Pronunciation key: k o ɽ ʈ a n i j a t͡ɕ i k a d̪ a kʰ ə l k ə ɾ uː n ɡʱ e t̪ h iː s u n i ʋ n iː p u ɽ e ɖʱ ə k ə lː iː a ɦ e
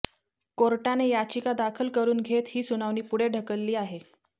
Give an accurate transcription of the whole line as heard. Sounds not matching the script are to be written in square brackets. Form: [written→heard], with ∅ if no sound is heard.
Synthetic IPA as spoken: k o [ɽ→ɾ] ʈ a n [i→e] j a t͡ɕ i k a d̪ a kʰ ə l k ə ɾ uː n ɡʱ e t̪ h iː s u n [i→a] ʋ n iː p u ɽ e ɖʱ ə k ə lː iː a ɦ e

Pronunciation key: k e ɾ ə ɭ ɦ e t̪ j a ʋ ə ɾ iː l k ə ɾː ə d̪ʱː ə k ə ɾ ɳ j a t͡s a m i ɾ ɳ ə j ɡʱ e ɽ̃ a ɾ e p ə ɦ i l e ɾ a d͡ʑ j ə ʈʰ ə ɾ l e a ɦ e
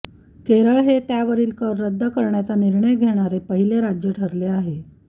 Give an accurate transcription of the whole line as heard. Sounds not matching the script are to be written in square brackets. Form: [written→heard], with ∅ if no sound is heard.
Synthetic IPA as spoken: k e ɾ ə ɭ ɦ e t̪ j a ʋ ə ɾ iː l k ə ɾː ə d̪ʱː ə k ə ɾ ɳ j a t͡s a [m→n] i ɾ ɳ ə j ɡʱ e ɽ̃ a ɾ e p ə ɦ i l e ɾ a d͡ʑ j ə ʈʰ ə ɾ l e a ɦ e

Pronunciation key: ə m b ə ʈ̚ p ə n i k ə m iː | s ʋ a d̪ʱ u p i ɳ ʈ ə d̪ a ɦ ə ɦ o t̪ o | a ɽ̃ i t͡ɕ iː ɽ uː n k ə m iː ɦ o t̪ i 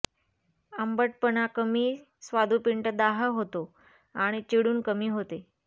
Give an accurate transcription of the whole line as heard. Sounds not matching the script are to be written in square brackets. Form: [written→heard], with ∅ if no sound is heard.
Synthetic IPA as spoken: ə m b ə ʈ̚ p ə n [i→a] k ə m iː | s ʋ a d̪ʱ u p i ɳ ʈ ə d̪ a ɦ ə ɦ o t̪ o | a ɽ̃ i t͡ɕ [iː→i] ɽ uː n k ə m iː ɦ o t̪ [i→e]

